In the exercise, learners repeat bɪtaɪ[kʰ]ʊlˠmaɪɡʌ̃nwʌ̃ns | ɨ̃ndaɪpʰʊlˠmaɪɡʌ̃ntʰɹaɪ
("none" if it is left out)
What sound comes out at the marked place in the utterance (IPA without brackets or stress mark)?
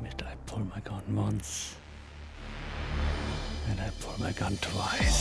pʰ